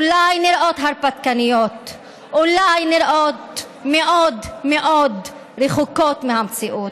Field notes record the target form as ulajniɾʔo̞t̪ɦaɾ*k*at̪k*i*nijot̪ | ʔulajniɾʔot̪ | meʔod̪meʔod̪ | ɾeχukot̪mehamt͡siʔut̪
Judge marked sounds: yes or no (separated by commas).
no, no